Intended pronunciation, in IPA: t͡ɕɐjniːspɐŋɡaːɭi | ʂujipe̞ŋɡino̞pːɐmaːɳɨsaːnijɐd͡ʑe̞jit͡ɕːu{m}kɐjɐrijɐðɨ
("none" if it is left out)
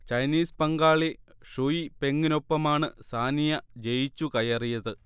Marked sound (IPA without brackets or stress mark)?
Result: none